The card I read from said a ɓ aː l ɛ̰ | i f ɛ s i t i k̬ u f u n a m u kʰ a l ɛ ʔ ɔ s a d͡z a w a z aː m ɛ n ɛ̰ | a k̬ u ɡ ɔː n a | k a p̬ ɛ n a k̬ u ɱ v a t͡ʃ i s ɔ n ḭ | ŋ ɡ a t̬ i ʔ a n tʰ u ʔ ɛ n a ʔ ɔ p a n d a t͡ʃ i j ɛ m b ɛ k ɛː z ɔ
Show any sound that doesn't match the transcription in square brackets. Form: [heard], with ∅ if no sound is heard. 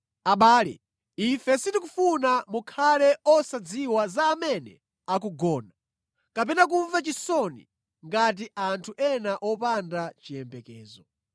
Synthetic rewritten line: a ɓ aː l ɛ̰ | i f ɛ s i t i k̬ u f u n a m u kʰ a l ɛ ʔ ɔ s a d͡z [i] w a z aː m ɛ n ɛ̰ | a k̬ u ɡ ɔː n a | k a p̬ ɛ n a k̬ u ɱ v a t͡ʃ i s ɔ n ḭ | ŋ ɡ a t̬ i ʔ a n tʰ u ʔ ɛ n a ʔ ɔ p a n d a t͡ʃ i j ɛ m b ɛ k ɛː z ɔ